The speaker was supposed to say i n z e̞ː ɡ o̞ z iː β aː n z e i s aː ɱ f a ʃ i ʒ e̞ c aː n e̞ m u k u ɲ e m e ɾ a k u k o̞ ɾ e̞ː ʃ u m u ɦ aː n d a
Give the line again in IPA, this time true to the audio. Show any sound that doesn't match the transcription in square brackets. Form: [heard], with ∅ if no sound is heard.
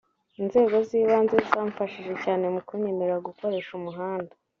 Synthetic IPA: i n z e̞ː ɡ o̞ z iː β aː n z e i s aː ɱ f a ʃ i ʒ e̞ c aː n e̞ m u k u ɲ e m e ɾ a [ɡ] u k o̞ ɾ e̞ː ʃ u m u ɦ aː n d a